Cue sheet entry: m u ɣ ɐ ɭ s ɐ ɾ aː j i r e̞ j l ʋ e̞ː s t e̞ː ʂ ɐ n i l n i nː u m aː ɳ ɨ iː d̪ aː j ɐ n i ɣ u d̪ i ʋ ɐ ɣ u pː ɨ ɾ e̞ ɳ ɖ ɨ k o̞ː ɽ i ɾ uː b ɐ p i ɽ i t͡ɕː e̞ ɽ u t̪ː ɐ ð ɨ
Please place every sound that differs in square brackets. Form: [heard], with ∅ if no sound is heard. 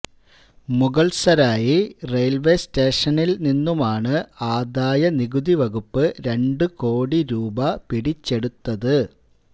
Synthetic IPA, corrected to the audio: m u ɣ ɐ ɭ s ɐ ɾ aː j i r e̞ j l ʋ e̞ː s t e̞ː ʂ ɐ n i l n i nː u m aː ɳ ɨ [aː] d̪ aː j ɐ n i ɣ u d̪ i ʋ ɐ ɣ u pː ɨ ɾ e̞ ɳ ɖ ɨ k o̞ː ɽ i ɾ uː b ɐ p i ɽ i t͡ɕː e̞ ɽ u t̪ː ɐ ð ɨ

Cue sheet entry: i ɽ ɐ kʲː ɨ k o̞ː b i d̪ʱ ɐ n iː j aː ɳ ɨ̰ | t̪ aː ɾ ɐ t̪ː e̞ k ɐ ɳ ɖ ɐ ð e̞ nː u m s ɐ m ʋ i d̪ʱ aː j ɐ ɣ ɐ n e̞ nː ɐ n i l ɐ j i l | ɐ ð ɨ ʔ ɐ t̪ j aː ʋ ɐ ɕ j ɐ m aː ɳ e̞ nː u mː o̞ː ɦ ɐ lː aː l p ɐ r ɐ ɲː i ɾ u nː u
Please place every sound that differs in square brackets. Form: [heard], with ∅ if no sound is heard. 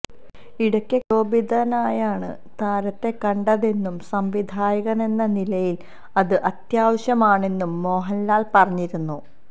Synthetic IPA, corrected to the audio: i ɽ ɐ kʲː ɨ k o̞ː b i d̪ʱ ɐ n [aː] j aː ɳ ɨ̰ | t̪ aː ɾ ɐ t̪ː e̞ k ɐ ɳ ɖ ɐ ð e̞ nː u m s ɐ m ʋ i d̪ʱ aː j ɐ ɣ ɐ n e̞ nː ɐ n i l ɐ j i l | ɐ ð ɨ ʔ ɐ t̪ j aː ʋ ɐ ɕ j ɐ m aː ɳ e̞ nː u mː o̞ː ɦ ɐ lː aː l p ɐ r ɐ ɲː i ɾ u nː u

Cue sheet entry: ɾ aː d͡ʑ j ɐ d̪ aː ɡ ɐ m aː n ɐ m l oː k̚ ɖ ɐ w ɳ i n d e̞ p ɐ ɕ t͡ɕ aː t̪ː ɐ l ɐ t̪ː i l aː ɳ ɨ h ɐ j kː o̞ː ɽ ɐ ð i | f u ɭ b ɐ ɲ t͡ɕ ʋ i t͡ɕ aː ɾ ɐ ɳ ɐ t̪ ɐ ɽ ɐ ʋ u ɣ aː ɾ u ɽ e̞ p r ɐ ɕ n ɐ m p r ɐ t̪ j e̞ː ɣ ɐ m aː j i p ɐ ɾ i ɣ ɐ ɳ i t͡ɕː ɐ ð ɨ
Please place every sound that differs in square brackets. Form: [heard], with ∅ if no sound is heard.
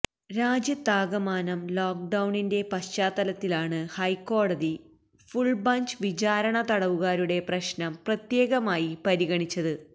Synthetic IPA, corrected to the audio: ɾ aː d͡ʑ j ɐ [t̪] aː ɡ ɐ m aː n ɐ m l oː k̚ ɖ ɐ w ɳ i n d e̞ p ɐ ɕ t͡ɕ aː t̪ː ɐ l ɐ t̪ː i l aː ɳ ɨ h ɐ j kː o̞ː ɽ ɐ ð i | f u ɭ b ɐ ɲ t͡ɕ ʋ i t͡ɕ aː ɾ ɐ ɳ ɐ t̪ ɐ ɽ ɐ ʋ u ɣ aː ɾ u ɽ e̞ p r ɐ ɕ n ɐ m p r ɐ t̪ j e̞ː ɣ ɐ m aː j i p ɐ ɾ i ɣ ɐ ɳ i t͡ɕː ɐ ð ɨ

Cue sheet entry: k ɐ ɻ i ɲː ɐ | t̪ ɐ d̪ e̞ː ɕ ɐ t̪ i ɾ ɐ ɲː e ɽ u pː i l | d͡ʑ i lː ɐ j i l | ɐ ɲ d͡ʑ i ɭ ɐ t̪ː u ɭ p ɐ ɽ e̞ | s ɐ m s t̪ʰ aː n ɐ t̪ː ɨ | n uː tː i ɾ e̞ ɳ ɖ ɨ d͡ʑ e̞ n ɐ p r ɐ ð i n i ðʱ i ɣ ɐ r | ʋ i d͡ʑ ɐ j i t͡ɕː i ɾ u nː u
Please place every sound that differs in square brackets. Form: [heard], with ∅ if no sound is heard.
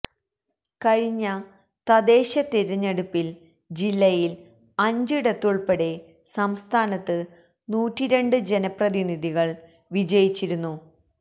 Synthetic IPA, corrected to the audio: k ɐ ɻ i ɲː ɐ | t̪ ɐ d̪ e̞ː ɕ ɐ t̪ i ɾ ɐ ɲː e ɽ u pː i l | d͡ʑ i lː ɐ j i l | ɐ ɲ d͡ʑ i [ɽ] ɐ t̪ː u ɭ p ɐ ɽ e̞ | s ɐ m s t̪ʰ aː n ɐ t̪ː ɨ | n uː tː i ɾ e̞ ɳ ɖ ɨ d͡ʑ e̞ n ɐ p r ɐ ð i n i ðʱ i ɣ ɐ [ɭ] | ʋ i d͡ʑ ɐ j i t͡ɕː i ɾ u nː u

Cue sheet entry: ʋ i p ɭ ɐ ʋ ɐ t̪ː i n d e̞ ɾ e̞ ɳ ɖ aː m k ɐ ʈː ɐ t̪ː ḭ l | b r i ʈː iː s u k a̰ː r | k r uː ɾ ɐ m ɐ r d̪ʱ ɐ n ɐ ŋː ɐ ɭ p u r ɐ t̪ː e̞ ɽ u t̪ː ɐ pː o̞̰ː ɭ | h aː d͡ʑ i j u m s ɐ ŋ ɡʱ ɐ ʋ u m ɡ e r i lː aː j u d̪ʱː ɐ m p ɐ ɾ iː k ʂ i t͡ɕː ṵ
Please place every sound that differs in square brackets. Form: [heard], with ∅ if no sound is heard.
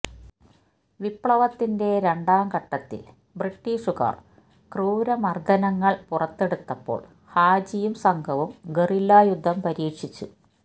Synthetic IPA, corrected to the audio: ʋ i p ɭ ɐ ʋ ɐ t̪ː i n d e̞ ɾ e̞ ɳ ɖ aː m k ɐ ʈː ɐ t̪ː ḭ l | b r i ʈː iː [ʂ] u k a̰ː r | k r uː ɾ ɐ m ɐ r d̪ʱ ɐ n ɐ ŋː ɐ ɭ p u r ɐ t̪ː e̞ ɽ u t̪ː ɐ pː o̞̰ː ɭ | h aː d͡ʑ i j u m s ɐ ŋ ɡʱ ɐ ʋ u m ɡ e r i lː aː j u d̪ʱː ɐ m p ɐ ɾ iː k ʂ i t͡ɕː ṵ

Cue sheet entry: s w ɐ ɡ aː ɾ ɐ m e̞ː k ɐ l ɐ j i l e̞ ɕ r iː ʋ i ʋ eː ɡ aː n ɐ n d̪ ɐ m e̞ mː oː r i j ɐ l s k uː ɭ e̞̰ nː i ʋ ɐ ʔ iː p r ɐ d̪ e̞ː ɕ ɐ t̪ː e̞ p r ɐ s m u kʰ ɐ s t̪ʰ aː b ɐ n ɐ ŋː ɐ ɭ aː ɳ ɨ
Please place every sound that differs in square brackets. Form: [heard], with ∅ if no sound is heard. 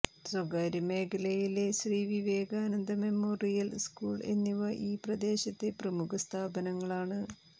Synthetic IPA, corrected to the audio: s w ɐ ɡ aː ɾ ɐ m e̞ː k ɐ l ɐ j i l e̞ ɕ r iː ʋ i ʋ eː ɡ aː n ɐ n d̪ ɐ m e̞ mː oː r i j ɐ l s k uː ɭ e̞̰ nː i ʋ ɐ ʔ iː p r ɐ d̪ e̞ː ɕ ɐ t̪ː e̞ p r ɐ [∅] m u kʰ ɐ s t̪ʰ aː b ɐ n ɐ ŋː ɐ ɭ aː ɳ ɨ

